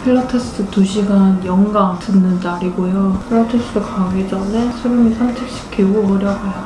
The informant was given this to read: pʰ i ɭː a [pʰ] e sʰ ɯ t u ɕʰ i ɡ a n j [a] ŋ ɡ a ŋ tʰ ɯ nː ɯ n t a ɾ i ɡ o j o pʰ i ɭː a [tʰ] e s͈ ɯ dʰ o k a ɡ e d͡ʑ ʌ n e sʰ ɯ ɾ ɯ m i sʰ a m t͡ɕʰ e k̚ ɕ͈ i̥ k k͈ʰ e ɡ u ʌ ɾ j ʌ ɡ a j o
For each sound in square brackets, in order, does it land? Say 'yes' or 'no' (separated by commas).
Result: no, no, yes